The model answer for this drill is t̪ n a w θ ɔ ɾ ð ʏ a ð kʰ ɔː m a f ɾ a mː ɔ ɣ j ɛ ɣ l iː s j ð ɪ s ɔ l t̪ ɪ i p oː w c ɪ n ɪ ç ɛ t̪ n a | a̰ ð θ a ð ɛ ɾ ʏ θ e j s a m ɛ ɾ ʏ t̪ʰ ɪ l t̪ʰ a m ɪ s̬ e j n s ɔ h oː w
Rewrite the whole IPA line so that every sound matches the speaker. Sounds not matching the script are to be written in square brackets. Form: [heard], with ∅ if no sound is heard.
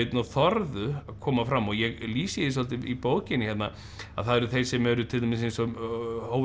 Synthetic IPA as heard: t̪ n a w θ ɔ ɾ ð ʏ a ð kʰ ɔː m a f ɾ a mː ɔ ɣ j ɛ ɣ l iː s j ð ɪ s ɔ l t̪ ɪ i p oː w c ɪ n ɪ ç ɛ t̪ n a | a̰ ð θ a ð ɛ ɾ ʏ θ e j s [ɛ] m ɛ ɾ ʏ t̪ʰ ɪ l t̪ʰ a m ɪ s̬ e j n s ɔ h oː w